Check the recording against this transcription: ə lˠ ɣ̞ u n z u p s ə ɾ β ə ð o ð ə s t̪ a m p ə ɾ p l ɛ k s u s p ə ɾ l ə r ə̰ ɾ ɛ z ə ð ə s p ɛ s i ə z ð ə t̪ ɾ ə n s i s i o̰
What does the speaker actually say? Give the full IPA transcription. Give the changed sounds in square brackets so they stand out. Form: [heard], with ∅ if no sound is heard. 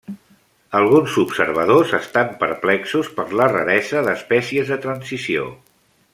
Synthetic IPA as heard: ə lˠ ɣ̞ u n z u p s ə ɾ β ə ð o [z] ə s t̪ a m p ə ɾ p l ɛ k s u s p ə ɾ l ə r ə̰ ɾ ɛ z ə ð ə s p ɛ s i ə z ð ə t̪ ɾ ə n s i s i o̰